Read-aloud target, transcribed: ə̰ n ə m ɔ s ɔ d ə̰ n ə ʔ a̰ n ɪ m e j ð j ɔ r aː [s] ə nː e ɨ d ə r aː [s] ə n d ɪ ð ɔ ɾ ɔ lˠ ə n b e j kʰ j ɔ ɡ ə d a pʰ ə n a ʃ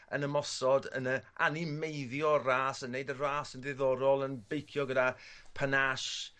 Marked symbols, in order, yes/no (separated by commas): yes, yes